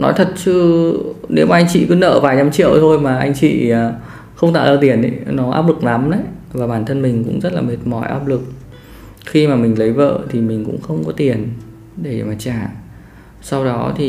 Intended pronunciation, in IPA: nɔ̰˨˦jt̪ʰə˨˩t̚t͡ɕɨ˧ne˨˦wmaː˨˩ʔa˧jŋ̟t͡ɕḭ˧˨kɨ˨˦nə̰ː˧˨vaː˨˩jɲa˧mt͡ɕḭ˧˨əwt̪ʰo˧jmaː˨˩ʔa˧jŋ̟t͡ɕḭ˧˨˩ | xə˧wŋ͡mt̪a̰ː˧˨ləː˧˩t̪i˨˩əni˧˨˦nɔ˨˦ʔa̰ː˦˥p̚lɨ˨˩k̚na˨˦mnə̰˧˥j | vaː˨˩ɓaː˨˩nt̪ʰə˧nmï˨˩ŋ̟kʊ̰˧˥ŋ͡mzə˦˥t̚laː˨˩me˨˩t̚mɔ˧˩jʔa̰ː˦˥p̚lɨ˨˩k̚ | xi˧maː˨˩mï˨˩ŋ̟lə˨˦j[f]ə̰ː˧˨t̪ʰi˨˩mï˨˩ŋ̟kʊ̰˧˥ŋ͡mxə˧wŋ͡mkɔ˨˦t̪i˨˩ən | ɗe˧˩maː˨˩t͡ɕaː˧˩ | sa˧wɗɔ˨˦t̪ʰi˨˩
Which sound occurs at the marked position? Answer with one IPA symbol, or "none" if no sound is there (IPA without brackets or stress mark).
v